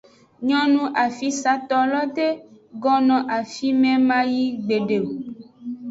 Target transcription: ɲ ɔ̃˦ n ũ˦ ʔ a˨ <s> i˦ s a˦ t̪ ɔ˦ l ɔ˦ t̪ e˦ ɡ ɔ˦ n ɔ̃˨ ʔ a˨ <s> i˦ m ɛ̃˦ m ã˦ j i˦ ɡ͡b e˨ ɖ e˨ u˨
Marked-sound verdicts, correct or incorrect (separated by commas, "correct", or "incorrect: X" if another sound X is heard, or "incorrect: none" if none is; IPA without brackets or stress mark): incorrect: f, incorrect: f